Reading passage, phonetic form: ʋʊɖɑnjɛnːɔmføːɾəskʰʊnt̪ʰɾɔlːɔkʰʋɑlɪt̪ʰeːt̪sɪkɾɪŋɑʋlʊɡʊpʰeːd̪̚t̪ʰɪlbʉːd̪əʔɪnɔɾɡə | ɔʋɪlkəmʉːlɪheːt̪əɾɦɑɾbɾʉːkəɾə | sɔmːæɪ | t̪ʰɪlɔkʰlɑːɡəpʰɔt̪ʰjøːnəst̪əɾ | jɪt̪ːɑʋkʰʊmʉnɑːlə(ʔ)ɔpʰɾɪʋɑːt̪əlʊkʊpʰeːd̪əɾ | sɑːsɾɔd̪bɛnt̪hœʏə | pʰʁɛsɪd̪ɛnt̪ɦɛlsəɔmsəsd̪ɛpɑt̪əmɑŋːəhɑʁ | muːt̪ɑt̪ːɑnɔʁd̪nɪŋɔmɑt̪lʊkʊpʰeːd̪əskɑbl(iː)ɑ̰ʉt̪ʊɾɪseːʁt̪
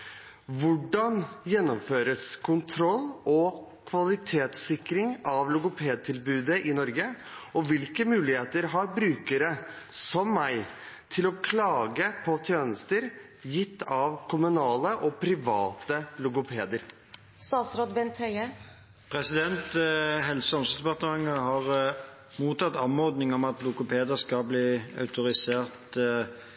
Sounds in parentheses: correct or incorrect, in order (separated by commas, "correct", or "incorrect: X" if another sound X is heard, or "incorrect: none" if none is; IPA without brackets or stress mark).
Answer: correct, correct